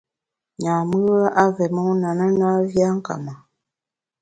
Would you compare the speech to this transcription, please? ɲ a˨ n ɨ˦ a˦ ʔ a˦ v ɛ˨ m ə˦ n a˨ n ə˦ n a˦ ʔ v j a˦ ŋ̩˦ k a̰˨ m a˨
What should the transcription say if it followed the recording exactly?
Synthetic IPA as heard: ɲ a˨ m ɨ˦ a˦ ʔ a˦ v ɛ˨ m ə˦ n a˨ n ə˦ n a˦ v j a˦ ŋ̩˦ k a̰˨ m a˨